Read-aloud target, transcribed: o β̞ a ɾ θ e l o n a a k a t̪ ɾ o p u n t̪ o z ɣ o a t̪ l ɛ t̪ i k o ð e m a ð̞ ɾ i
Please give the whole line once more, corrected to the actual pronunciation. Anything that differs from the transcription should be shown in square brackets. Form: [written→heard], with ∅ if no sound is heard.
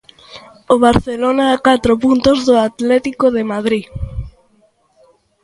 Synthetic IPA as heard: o β̞ a ɾ θ e l o n a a k a t̪ ɾ o p u n t̪ o z [ɣ→ð] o a t̪ l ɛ t̪ i k o ð e m a ð̞ ɾ i